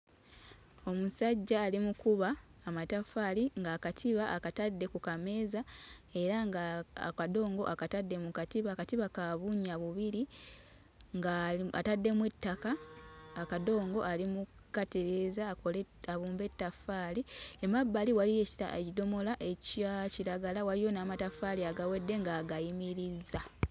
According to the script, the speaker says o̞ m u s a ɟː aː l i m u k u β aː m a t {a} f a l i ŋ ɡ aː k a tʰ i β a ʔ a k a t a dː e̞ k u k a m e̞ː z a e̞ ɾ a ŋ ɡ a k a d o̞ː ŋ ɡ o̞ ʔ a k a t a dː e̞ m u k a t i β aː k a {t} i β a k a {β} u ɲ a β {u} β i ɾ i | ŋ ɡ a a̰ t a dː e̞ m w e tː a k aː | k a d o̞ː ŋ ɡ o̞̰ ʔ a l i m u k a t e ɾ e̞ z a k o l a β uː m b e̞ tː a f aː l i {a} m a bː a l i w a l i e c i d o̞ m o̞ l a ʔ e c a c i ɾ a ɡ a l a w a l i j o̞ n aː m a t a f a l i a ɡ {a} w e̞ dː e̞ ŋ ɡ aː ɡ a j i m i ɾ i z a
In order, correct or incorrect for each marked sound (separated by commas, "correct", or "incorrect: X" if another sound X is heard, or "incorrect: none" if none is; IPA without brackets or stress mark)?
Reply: correct, correct, correct, correct, incorrect: e, correct